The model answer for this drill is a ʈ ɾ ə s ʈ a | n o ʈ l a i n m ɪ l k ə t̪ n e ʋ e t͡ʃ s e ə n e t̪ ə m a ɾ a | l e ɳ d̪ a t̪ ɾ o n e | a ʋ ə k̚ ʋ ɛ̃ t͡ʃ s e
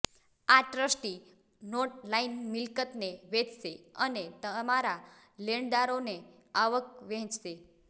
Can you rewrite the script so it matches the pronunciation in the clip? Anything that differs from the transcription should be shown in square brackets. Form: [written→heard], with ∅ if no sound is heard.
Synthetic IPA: a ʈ ɾ ə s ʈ [a→i] | n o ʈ l a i n m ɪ l k ə t̪ n e ʋ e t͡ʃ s e ə n e t̪ ə m a ɾ a | l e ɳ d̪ a [t̪→∅] ɾ o n e | a ʋ ə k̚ ʋ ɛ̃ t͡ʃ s e

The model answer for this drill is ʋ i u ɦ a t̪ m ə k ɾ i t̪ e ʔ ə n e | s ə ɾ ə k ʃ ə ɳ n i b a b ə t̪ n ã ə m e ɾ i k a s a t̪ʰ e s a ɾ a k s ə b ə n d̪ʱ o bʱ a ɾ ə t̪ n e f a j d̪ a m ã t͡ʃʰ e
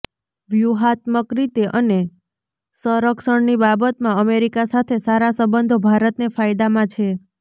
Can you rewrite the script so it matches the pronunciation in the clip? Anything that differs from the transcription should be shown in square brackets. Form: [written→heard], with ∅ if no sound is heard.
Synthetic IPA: ʋ [i→j] u ɦ a t̪ m ə k ɾ i t̪ e ʔ ə n e | s ə ɾ ə k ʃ ə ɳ n i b a b ə t̪ [n→m] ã ə m e ɾ i k a s a t̪ʰ e s a ɾ a [k→∅] s ə b ə n d̪ʱ o bʱ a ɾ ə t̪ n e f a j d̪ a m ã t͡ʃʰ e

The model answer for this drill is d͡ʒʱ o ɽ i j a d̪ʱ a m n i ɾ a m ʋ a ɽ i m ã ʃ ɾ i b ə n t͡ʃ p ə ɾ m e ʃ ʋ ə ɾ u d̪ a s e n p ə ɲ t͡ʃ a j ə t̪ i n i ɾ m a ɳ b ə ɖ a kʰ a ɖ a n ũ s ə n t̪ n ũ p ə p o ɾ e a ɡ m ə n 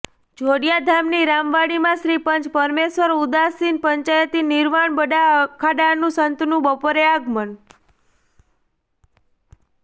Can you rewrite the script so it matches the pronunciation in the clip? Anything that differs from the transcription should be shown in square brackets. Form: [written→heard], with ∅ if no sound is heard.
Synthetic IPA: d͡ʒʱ o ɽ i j a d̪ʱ a m n i ɾ a m ʋ a ɽ i m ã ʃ ɾ i [b→p] ə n t͡ʃ p ə ɾ m e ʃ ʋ ə ɾ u d̪ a s [e→i] n p ə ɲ t͡ʃ a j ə t̪ i n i ɾ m a ɳ b ə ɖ a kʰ a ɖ a n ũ s ə n t̪ n ũ [p→b] ə p o ɾ e a ɡ m ə n

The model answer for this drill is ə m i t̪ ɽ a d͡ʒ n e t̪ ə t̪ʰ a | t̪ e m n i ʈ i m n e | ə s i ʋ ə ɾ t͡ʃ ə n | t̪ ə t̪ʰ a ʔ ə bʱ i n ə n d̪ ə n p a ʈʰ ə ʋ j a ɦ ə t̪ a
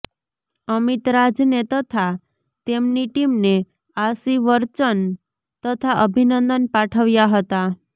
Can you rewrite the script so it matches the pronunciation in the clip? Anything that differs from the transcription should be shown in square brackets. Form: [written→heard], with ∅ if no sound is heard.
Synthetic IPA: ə m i t̪ [ɽ→ɾ] a d͡ʒ n e t̪ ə t̪ʰ a | t̪ e m n i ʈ i m n e | [ə→a] s i ʋ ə ɾ t͡ʃ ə n | t̪ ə t̪ʰ a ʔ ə bʱ i n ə n d̪ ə n p a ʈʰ ə ʋ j a ɦ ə t̪ a

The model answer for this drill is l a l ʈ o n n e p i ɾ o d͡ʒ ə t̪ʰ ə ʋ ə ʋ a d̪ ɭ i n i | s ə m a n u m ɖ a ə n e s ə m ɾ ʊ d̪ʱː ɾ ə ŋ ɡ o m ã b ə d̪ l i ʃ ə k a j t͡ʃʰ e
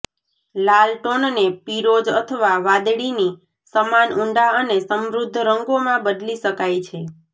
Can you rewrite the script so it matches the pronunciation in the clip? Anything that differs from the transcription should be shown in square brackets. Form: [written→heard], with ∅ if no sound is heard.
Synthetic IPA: l a l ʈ o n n e p i ɾ o d͡ʒ ə t̪ʰ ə ʋ [ə→a] ʋ a d̪ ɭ i n i | s ə m a n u [m→ɳ] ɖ a ə n e s ə m ɾ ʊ d̪ʱː ɾ ə ŋ ɡ o m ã b ə d̪ l i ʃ ə k a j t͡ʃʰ e

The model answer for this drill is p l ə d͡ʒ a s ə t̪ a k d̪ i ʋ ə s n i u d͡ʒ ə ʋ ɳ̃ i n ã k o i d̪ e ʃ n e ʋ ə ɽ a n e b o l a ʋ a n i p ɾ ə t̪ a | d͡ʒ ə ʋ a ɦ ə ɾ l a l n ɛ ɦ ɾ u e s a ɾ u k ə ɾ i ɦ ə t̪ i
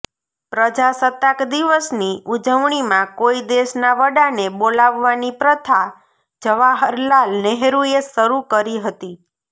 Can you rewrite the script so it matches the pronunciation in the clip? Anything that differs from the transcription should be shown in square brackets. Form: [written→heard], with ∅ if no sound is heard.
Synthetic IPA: p [l→ɾ] ə d͡ʒ a s ə t̪ a k d̪ i ʋ ə s n i u d͡ʒ ə ʋ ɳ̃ i [n→m] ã k o i d̪ e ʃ n [e→a] ʋ ə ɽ a n e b o l a [ʋ→ʋː] a n i p ɾ ə [t̪→t̪ʰ] a | d͡ʒ ə ʋ a ɦ ə ɾ l a l n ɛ ɦ ɾ u e s [a→ə] ɾ u k ə ɾ i ɦ ə t̪ i

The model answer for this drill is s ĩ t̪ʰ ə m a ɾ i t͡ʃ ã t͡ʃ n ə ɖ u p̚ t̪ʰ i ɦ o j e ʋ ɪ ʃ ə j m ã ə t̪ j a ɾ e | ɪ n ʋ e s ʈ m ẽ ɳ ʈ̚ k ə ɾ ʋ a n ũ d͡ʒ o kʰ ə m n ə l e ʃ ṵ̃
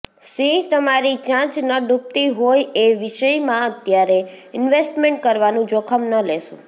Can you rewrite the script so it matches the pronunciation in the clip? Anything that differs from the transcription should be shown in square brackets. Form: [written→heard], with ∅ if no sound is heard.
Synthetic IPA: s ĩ [t̪ʰ→t̪] ə m a ɾ i t͡ʃ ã t͡ʃ n ə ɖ u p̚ [t̪ʰ→t̪] i ɦ o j e ʋ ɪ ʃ ə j m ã ə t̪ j a ɾ e | ɪ n ʋ e s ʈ m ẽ ɳ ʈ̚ k ə ɾ ʋ a n ũ d͡ʒ o kʰ ə m n ə l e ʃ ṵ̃

